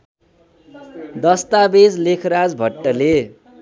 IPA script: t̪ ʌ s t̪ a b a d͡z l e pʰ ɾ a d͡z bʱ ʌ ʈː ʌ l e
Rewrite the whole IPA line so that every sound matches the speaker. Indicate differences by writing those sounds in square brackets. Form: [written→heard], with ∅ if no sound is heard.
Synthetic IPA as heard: [t̪→d̪] ʌ s t̪ a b [a→e] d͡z l e [pʰ→kʰ] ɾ a d͡z bʱ ʌ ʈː ʌ l e